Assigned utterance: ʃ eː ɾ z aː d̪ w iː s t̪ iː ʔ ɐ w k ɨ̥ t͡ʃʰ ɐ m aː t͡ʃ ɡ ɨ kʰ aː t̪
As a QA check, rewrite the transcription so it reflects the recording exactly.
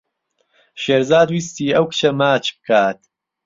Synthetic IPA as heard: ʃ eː ɾ z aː d̪ w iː s t̪ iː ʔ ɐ w k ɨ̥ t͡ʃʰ ɐ m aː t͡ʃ b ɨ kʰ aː t̪